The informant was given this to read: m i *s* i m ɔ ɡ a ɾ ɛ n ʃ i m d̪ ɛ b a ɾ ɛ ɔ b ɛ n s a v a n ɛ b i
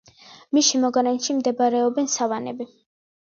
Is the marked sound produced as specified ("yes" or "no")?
no